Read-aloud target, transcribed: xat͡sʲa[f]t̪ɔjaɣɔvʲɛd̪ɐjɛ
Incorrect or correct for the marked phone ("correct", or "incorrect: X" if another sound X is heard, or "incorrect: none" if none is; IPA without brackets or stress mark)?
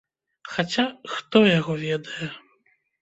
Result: incorrect: x